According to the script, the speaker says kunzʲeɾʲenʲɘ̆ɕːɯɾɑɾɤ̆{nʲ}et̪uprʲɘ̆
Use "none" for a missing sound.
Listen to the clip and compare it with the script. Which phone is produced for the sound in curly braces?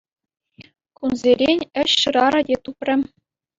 dʲ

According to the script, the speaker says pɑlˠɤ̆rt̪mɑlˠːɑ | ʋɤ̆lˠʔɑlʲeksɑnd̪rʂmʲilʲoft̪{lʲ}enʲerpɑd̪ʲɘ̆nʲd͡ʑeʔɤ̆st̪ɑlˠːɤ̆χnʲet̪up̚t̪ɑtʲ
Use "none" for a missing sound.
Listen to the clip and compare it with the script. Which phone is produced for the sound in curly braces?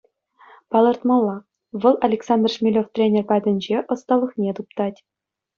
rʲ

